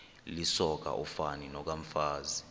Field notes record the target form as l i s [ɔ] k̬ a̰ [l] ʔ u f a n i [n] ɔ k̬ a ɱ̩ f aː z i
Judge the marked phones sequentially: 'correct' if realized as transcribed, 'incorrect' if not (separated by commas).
correct, incorrect, correct